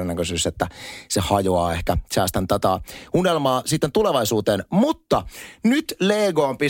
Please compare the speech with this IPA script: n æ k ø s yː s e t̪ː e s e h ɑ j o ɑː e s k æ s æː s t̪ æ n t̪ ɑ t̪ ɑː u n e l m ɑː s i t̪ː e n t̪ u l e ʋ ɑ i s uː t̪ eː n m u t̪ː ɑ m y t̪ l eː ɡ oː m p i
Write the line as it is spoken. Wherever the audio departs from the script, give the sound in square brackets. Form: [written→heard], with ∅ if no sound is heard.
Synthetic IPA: n æ k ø s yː s e t̪ː [e→æ] s e h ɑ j o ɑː e [s→h] k æ s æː s t̪ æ n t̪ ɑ t̪ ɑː u n e l m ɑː s i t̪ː e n t̪ u l e ʋ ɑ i s uː t̪ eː n m u t̪ː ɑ [m→n] y t̪ l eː ɡ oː m p i